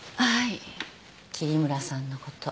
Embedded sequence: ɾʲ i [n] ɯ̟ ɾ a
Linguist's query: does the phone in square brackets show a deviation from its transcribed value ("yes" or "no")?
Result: yes